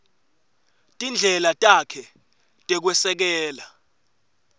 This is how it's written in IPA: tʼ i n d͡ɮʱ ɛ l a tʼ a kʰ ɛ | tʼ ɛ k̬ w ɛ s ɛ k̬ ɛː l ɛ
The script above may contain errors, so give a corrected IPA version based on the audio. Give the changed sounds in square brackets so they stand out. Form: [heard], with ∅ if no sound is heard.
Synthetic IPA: tʼ i n d͡ɮʱ ɛ l a tʼ a kʰ ɛ | tʼ ɛ k̬ w ɛ s ɛ k̬ ɛː l [a]